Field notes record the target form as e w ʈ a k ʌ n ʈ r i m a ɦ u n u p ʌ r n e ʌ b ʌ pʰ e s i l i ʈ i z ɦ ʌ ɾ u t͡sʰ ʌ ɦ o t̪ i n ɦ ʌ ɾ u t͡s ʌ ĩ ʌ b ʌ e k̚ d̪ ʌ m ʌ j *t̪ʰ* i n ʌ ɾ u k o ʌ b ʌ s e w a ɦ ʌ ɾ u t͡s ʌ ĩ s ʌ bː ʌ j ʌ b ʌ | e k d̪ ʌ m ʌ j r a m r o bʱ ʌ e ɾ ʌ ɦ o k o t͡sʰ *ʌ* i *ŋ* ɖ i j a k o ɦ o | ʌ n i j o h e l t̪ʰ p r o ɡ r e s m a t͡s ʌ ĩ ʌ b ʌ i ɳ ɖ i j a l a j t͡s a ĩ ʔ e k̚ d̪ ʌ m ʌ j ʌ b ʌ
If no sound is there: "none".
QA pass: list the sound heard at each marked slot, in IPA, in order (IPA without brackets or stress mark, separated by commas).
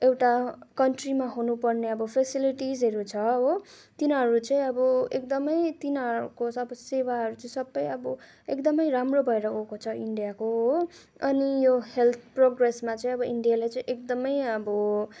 t̪, ʌ, ɳ